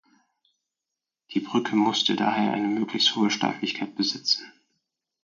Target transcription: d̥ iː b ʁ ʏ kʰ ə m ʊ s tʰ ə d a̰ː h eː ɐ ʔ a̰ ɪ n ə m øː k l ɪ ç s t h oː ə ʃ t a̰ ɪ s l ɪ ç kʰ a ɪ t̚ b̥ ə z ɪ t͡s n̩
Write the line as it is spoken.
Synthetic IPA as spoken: d̥ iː b ʁ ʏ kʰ ə m ʊ s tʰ ə d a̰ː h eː ɐ ʔ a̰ ɪ n ə m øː k l ɪ ç s t h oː ə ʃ t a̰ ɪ f l ɪ ç kʰ a ɪ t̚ b̥ ə z ɪ t͡s n̩